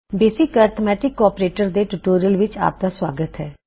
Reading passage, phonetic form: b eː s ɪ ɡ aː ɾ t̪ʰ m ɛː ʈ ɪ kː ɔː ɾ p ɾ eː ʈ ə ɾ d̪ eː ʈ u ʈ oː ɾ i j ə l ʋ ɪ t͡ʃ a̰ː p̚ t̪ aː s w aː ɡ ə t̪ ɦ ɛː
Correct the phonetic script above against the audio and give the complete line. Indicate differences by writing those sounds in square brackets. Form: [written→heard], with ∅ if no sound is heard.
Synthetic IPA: b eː s ɪ [ɡ→k] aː ɾ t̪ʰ m ɛː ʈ ɪ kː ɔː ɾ p ɾ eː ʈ ə ɾ d̪ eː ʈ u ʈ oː ɾ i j ə l ʋ ɪ t͡ʃ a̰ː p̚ [t̪→d̪] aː s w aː ɡ ə t̪ ɦ ɛː